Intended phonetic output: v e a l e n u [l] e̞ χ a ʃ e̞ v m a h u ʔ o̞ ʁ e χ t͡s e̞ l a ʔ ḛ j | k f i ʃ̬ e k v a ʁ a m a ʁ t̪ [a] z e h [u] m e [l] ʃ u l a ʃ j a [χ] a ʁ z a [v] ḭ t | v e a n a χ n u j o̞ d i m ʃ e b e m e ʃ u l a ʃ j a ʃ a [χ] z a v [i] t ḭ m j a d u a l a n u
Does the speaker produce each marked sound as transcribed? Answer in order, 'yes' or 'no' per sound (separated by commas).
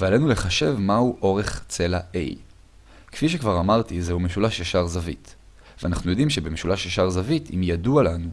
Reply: yes, no, yes, no, no, yes, no, yes